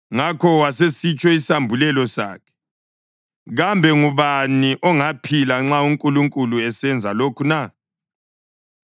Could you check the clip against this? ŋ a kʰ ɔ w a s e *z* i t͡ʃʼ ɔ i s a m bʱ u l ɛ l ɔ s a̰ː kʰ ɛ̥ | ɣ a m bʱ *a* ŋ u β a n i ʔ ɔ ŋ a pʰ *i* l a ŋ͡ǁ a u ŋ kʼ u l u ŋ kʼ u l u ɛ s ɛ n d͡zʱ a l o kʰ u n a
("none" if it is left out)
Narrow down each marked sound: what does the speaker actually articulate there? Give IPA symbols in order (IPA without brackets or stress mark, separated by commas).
s, ɛ, i